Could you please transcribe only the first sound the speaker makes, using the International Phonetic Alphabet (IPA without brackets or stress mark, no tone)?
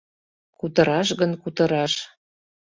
k